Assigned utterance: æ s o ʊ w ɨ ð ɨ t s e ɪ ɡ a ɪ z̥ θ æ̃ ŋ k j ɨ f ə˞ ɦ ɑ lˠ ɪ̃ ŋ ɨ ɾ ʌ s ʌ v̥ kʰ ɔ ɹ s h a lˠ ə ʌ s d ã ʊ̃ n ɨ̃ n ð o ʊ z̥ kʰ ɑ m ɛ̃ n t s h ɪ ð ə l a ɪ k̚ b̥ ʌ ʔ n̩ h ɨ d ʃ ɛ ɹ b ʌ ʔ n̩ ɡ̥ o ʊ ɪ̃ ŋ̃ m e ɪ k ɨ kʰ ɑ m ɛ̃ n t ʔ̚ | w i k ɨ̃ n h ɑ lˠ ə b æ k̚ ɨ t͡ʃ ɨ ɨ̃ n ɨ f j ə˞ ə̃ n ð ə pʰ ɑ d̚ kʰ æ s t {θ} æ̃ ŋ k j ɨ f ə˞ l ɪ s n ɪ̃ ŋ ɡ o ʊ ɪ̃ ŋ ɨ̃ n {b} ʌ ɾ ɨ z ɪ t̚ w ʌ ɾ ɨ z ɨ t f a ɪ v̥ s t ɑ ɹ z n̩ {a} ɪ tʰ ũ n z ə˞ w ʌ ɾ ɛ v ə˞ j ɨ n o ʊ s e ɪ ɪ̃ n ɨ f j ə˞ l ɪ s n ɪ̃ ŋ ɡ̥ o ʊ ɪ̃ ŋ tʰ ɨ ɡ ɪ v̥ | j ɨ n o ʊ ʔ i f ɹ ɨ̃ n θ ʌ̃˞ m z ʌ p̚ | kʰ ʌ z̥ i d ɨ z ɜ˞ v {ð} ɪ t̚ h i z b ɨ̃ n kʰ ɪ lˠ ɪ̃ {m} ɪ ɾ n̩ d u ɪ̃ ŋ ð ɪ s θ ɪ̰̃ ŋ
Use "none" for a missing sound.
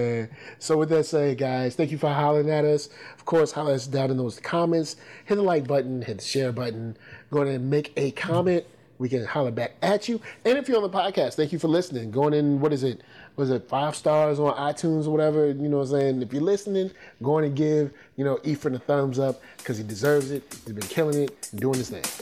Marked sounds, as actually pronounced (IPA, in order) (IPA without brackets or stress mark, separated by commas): θ, w, a, z, ŋ